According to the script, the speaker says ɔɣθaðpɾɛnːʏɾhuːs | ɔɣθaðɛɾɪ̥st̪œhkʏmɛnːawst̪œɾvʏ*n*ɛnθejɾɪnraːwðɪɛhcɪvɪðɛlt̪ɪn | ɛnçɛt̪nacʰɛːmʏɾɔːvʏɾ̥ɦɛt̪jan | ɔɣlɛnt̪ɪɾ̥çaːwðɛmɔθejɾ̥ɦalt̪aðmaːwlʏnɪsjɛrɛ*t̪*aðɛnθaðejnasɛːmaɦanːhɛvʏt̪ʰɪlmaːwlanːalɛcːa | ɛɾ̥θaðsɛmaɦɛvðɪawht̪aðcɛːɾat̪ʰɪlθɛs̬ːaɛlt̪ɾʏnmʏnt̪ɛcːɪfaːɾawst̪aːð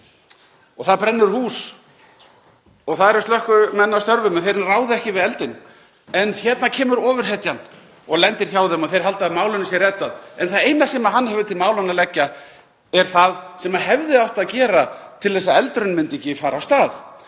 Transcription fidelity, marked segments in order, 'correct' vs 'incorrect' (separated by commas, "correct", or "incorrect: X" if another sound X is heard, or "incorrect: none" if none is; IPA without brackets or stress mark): incorrect: m, correct